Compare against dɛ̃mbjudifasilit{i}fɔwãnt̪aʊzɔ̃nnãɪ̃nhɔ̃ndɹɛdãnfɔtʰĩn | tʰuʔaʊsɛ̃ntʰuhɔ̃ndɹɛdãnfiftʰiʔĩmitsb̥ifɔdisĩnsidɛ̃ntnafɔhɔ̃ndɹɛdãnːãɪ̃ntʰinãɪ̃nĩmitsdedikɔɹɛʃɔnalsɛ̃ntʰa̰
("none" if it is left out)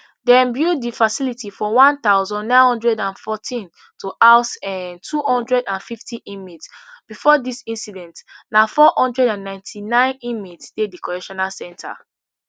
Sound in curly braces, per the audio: i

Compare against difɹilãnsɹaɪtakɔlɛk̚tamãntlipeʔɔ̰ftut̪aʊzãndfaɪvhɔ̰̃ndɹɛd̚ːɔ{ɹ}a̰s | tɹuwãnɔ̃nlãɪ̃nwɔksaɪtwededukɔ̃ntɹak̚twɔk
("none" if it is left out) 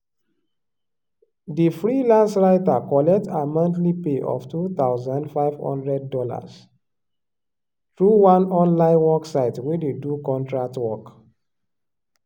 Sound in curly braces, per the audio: l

